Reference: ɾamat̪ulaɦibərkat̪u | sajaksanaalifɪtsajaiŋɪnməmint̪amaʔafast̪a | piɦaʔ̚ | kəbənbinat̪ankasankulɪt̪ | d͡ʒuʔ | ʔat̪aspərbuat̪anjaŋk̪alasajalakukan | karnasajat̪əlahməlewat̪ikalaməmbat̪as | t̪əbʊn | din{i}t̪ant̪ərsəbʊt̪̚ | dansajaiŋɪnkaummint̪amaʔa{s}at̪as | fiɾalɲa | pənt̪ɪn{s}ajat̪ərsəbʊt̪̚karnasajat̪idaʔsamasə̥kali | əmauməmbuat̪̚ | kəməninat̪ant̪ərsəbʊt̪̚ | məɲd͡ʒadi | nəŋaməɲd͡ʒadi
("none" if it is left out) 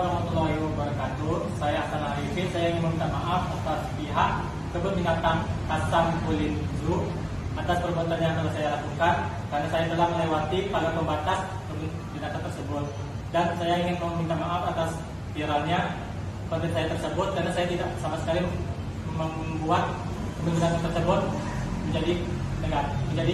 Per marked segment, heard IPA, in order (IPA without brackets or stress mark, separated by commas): a, f, s